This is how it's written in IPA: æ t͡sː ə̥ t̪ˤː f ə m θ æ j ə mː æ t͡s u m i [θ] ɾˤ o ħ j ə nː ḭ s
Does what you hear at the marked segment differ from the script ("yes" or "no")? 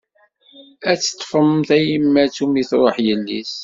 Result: no